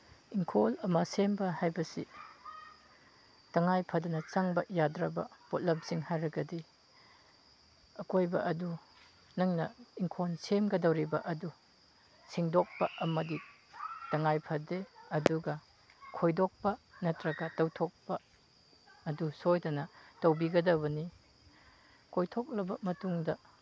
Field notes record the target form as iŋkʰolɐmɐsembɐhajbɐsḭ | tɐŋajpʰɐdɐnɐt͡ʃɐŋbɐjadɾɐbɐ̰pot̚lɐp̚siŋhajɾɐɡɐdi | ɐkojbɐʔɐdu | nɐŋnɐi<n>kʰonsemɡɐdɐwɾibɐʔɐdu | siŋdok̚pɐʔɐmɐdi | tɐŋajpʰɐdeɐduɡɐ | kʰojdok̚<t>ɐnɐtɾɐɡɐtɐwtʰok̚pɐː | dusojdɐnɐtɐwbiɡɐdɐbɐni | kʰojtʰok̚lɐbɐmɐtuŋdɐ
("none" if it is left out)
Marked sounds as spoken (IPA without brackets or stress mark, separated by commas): ŋ, p